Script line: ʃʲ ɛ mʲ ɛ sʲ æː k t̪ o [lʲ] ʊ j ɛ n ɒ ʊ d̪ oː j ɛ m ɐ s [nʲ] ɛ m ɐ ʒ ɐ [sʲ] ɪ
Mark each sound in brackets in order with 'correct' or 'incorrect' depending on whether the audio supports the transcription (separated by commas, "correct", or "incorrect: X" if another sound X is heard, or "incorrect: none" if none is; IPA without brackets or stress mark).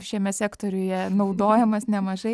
incorrect: ɾʲ, correct, incorrect: none